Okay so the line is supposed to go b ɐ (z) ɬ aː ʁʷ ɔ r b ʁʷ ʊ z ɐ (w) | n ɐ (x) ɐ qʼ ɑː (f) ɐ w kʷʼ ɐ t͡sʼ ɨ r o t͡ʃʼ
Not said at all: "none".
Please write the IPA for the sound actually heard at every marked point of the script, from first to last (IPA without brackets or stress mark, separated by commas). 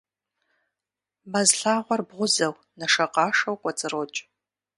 z, w, ʂ, ʂ